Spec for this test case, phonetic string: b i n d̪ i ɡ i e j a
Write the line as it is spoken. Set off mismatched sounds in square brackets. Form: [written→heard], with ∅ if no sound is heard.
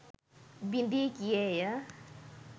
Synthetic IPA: b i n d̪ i [ɡ→k] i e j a

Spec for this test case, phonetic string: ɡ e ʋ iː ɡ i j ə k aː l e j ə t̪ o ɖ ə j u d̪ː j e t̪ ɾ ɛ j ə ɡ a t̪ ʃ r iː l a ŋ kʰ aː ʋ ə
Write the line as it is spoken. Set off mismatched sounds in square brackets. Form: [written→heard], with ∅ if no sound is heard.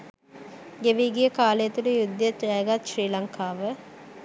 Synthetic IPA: ɡ e ʋ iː ɡ i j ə k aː l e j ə t̪ [o→u] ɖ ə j u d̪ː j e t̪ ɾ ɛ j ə ɡ a t̪ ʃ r iː l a ŋ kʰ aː ʋ ə

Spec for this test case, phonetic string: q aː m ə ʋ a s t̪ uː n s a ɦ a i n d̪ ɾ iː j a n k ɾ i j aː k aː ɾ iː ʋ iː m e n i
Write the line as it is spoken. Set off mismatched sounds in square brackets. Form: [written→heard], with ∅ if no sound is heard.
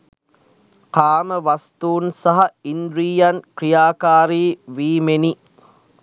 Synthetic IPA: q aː m ə ʋ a s t̪ uː n s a ɦ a i n d̪ ɾ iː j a n k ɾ i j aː k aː ɾ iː ʋ iː m e n i

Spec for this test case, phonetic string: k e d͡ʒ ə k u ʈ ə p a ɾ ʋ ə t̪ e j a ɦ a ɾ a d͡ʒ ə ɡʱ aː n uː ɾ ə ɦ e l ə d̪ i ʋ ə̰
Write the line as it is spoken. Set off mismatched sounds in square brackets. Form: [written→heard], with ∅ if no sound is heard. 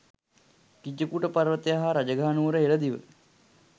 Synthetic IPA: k [e→i] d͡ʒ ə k u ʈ ə p a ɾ ʋ ə t̪ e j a ɦ a ɾ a d͡ʒ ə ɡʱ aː n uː ɾ ə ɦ e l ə d̪ i ʋ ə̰

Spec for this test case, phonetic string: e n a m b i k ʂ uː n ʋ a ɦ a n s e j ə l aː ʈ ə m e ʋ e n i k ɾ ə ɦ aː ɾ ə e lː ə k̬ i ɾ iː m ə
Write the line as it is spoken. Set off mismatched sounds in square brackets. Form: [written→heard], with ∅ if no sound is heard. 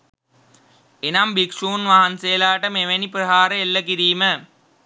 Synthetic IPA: e n a m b i k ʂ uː n ʋ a ɦ a n s e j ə l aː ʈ ə m e ʋ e n i [k→p] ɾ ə ɦ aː ɾ ə e lː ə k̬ i ɾ iː m ə

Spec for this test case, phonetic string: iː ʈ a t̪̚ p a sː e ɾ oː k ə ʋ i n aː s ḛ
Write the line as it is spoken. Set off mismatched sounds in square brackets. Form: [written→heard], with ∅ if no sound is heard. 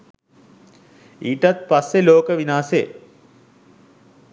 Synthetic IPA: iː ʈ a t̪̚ p a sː e [ɾ→l] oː k ə ʋ i n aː s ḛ

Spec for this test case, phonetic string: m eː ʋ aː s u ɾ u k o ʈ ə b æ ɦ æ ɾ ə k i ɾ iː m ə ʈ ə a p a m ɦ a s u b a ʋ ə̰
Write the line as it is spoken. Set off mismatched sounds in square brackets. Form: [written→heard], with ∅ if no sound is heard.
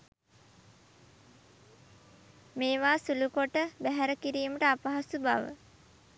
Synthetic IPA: m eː ʋ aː s u [ɾ→l] u k o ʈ ə b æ ɦ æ ɾ ə k i ɾ iː m ə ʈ ə a p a [m→∅] ɦ a s u b a ʋ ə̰

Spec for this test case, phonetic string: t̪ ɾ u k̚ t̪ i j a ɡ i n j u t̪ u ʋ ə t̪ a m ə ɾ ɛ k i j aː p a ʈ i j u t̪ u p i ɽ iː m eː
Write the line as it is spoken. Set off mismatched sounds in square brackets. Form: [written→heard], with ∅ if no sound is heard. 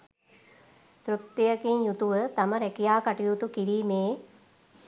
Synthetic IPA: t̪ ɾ u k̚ t̪ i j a [ɡ→k] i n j u t̪ u ʋ ə t̪ a m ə ɾ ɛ k i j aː [p→k] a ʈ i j u t̪ u [p→k] i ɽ iː m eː

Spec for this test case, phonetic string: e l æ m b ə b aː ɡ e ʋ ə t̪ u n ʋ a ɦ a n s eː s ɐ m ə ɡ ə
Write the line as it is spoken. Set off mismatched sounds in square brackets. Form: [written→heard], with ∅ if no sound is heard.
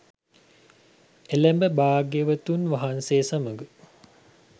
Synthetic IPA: e l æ m b ə b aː ɡ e ʋ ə t̪ u n ʋ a ɦ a n s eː s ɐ m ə ɡ ə

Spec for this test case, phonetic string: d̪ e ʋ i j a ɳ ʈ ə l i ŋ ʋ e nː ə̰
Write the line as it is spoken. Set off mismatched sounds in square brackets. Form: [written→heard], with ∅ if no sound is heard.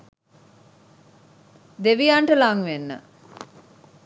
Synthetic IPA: d̪ e ʋ i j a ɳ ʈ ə l [i→a] ŋ ʋ e nː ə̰

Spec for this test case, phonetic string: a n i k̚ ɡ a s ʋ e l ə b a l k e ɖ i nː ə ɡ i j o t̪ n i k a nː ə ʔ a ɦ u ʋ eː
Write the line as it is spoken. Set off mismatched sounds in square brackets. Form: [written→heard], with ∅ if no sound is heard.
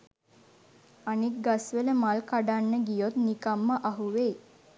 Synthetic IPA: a n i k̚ ɡ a s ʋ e l ə [b→m] a l k [e→a] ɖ [i→a] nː ə ɡ i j o t̪ n i k a [nː→mː] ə ʔ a ɦ u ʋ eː

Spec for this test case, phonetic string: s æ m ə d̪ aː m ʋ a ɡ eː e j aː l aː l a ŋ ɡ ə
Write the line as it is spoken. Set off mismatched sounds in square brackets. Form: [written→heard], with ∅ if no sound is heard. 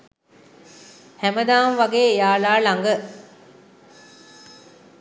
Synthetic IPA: [s→h] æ m ə d̪ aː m ʋ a ɡ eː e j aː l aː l a ŋ ɡ ə

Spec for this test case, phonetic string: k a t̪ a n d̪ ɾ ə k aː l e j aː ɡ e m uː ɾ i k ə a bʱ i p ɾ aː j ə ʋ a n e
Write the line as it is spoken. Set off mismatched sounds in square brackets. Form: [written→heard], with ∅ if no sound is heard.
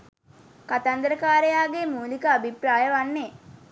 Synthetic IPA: k a t̪ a n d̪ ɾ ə k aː [l→ɾ] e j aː ɡ e m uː [ɾ→l] i k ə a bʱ i p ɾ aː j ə ʋ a [n→nː] e

